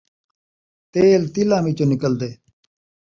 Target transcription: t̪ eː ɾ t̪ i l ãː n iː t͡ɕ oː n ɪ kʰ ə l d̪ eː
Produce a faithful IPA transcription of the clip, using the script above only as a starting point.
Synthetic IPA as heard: t̪ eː l t̪ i l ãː m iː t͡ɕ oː n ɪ k ə l d̪ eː